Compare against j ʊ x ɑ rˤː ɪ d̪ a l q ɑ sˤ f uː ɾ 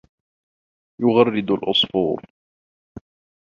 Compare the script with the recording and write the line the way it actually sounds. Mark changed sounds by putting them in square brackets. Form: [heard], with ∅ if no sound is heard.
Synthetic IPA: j ʊ [ɣ] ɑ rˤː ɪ d̪ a l [ʔ] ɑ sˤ f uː ɾ

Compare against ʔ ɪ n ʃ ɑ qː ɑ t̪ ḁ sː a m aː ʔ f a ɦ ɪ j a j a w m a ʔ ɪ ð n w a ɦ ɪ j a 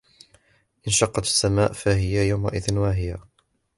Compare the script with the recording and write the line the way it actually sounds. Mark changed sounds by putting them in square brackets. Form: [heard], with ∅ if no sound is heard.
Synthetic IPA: ʔ ɪ n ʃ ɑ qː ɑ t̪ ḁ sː a m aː ʔ f a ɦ ɪ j a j a w m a ʔ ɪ ð n w a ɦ ɪ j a

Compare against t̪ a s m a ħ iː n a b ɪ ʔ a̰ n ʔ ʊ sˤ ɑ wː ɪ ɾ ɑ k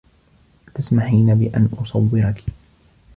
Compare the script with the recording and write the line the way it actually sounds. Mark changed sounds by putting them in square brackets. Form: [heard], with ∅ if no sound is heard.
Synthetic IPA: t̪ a s m a ħ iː n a b ɪ ʔ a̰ n ʔ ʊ sˤ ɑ wː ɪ ɾ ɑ k

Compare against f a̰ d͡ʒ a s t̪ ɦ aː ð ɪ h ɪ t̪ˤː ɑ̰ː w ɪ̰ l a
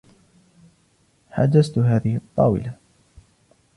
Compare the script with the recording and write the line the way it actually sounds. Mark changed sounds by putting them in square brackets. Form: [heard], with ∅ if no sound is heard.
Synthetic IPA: [ħ] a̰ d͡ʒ a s t̪ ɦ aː ð ɪ h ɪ t̪ˤː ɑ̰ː w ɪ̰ l a

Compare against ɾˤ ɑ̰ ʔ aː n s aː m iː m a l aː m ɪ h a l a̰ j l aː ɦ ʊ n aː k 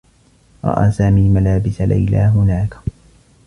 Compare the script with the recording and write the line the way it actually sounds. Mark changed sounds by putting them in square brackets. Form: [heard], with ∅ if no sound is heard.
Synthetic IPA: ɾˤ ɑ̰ ʔ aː [∅] s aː m iː m a l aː [b] ɪ [s] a l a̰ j l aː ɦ ʊ n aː k

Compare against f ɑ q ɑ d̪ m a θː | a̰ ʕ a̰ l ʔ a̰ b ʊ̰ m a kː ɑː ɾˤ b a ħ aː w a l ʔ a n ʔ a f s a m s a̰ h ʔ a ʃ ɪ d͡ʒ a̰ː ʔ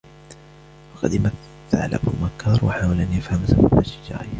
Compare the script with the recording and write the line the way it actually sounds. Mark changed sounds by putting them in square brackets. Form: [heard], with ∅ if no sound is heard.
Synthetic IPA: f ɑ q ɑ d̪ m a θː | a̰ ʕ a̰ l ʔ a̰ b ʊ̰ m a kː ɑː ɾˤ [w] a ħ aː w a l ʔ a n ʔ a f [h] a m s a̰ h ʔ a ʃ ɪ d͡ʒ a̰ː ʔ

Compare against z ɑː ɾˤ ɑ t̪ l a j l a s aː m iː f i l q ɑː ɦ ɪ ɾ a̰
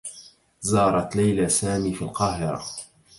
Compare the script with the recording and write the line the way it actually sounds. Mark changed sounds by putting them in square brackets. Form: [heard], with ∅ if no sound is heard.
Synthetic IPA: z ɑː ɾˤ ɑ t̪ l a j l a s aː m iː f i l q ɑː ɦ ɪ ɾ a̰

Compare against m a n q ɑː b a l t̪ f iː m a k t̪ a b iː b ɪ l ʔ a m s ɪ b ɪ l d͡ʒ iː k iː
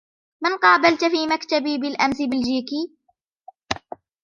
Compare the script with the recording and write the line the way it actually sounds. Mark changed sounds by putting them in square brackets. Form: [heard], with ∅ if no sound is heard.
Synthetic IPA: m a n q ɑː b a l t̪ f iː m a k t̪ a b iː b ɪ l ʔ a m s ɪ b ɪ l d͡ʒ iː k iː

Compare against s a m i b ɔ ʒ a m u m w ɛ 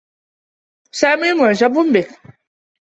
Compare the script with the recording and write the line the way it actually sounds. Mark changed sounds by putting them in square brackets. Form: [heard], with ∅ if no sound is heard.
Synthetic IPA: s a m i [m] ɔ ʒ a [b] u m [b] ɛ

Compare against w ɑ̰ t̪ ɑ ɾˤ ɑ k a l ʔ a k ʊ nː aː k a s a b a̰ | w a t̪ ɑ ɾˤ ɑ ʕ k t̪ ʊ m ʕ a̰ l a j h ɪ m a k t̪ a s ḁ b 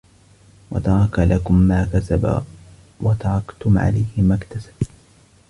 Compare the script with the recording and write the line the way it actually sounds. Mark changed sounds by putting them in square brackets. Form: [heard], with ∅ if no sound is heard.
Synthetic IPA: w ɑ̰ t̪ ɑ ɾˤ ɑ k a l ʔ a k ʊ [mː] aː k a s a b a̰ | w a t̪ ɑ ɾˤ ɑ [∅] k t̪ ʊ m ʕ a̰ l a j h ɪ m a k t̪ a s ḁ b

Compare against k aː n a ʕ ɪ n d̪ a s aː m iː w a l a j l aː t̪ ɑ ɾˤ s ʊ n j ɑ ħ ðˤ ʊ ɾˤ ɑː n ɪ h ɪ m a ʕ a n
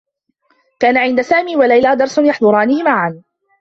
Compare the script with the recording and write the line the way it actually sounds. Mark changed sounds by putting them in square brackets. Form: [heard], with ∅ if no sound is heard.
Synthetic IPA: k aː n a ʕ ɪ n d̪ a s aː m iː w a l a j l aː [d̪] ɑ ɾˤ s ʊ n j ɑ ħ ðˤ ʊ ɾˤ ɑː n ɪ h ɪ m a ʕ a n

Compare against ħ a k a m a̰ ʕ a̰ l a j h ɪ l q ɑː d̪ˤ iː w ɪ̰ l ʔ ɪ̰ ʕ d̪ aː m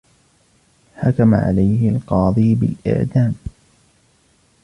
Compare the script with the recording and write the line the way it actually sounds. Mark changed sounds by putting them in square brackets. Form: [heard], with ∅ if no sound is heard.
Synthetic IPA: ħ a k a m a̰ ʕ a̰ l a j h ɪ l q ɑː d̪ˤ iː [b] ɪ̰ l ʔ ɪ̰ ʕ d̪ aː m

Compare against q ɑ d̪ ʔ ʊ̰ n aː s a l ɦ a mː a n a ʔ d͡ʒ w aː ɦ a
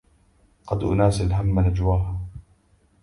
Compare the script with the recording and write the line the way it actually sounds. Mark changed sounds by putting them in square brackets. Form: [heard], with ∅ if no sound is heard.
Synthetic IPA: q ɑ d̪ ʔ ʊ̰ n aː s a l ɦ a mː a n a [∅] d͡ʒ w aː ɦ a

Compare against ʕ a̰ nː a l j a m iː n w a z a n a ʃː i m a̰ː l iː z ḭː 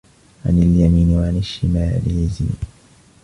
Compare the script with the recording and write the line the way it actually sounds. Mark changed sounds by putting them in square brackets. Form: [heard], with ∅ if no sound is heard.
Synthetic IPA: ʕ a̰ [n] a l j a m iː n w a [ʕ] a n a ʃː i m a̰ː l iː z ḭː

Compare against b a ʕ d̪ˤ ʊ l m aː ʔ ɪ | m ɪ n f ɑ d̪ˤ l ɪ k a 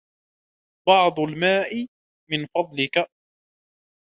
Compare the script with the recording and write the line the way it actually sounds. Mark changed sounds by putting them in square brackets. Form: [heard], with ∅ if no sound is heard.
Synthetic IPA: b [ɑ] ʕ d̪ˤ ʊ l m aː ʔ ɪ | m ɪ n f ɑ d̪ˤ l ɪ k a

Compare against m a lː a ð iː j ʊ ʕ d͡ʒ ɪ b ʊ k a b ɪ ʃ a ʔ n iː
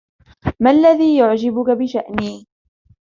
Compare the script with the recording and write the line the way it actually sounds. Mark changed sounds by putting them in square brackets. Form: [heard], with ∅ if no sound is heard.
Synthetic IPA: m a lː a ð iː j ʊ ʕ d͡ʒ ɪ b ʊ k a b ɪ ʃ a ʔ n iː

